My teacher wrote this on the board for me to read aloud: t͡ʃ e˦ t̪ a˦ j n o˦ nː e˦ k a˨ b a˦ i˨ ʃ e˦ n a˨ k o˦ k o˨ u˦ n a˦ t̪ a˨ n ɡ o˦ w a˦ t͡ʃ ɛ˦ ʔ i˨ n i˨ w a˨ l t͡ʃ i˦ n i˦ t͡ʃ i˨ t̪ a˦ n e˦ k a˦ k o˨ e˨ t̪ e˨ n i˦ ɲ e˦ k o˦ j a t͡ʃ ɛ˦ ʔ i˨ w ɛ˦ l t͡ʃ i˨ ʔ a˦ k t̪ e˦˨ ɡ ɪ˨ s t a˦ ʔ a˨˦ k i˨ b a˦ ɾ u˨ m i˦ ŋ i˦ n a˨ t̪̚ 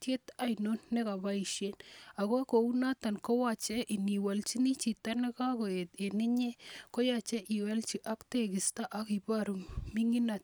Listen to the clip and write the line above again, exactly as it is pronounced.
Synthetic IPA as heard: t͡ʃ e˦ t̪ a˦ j n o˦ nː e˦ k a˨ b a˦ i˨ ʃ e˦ n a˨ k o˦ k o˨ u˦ n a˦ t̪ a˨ n k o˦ w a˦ t͡ʃ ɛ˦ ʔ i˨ n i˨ w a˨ l t͡ʃ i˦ n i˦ t͡ʃ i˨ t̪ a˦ n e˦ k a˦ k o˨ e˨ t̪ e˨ n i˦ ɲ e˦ k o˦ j a t͡ʃ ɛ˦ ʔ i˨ w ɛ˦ l t͡ʃ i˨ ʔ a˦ k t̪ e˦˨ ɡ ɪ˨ s t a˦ ʔ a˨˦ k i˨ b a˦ ɾ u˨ m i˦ ŋ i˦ n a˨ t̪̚